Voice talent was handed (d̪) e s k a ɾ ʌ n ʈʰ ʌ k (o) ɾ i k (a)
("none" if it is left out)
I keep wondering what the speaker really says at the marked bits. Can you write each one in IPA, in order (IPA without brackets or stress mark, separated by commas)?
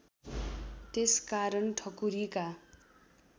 t̪, u, a